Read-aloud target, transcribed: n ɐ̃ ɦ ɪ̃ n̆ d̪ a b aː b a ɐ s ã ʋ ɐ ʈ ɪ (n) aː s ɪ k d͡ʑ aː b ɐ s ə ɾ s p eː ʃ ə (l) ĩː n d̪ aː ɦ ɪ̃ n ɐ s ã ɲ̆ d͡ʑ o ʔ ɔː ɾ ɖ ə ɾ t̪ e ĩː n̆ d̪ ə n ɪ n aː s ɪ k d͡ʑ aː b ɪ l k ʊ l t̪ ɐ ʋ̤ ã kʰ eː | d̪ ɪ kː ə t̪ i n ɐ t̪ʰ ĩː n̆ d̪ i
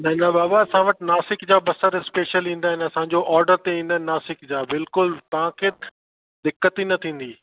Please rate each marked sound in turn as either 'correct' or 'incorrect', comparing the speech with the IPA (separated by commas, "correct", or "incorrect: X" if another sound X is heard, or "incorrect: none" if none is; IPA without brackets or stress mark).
correct, correct